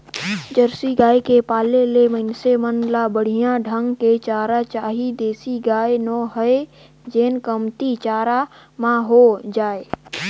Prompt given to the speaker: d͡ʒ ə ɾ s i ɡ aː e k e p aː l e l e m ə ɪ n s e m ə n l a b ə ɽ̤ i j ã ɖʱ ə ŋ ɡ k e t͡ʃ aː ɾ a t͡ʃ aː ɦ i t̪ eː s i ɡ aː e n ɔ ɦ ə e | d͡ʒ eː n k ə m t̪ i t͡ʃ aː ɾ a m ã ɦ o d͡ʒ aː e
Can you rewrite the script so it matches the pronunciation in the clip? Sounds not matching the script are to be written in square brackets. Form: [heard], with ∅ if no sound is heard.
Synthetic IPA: d͡ʒ ə ɾ s i ɡ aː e k e p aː l e l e m ə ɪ n s e m ə n l a b ə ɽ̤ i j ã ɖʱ ə ŋ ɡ k e t͡ʃ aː ɾ a t͡ʃ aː ɦ i [d̪] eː s i ɡ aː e n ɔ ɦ ə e | d͡ʒ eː n k ə m t̪ i t͡ʃ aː ɾ a m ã ɦ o d͡ʒ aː e